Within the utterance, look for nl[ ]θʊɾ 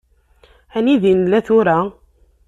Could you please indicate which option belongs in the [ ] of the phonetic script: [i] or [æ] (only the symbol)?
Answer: æ